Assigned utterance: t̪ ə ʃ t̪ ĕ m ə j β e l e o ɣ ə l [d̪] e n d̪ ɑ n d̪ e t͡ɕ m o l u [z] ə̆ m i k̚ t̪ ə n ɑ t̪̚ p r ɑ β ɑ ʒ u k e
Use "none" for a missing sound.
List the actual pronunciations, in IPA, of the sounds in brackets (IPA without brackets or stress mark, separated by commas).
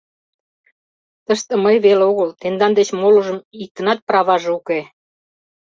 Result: t̪, ʒ